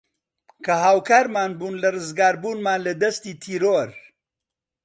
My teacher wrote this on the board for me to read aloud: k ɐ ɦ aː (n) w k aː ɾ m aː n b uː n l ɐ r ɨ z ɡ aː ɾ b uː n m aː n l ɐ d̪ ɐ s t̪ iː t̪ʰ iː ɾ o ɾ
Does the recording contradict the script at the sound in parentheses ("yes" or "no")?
yes